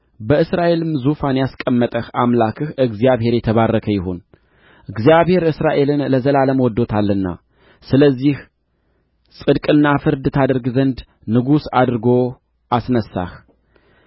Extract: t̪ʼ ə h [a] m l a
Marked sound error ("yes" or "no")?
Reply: no